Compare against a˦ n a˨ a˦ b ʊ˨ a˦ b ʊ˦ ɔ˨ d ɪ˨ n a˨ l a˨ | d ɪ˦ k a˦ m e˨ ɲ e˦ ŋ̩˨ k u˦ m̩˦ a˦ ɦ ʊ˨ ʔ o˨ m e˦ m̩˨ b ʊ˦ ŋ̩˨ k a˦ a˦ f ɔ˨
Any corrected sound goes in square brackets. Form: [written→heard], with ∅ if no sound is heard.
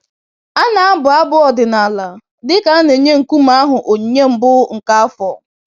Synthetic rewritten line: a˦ n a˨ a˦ b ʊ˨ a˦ b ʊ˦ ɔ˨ d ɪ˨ n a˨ l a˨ | d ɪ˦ k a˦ [m→n] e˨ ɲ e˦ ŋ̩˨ k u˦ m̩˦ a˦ ɦ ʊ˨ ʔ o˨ [m→ɲ] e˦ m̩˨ b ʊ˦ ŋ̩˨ k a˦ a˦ f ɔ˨